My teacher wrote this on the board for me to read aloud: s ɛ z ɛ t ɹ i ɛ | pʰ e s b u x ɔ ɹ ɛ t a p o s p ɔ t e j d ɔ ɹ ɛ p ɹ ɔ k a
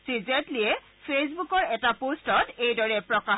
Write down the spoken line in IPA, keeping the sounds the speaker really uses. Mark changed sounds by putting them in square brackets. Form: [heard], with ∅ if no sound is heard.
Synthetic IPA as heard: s [i] z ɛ t [l] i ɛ | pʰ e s b u [k] ɔ ɹ ɛ t a p o s [t] ɔ t e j d ɔ ɹ ɛ p ɹ ɔ k a